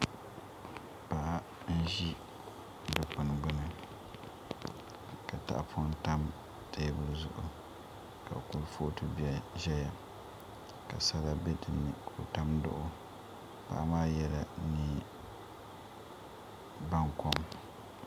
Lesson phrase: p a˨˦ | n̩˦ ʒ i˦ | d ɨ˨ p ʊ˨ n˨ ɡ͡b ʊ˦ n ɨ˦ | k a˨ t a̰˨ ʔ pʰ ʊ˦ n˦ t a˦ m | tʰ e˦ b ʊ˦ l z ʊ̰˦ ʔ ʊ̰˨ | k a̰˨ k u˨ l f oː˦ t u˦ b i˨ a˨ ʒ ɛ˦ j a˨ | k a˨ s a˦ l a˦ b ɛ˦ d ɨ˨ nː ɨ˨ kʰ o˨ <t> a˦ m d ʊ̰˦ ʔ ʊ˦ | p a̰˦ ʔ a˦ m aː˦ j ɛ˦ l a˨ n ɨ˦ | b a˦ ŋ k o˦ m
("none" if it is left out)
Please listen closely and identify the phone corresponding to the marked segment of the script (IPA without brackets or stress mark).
t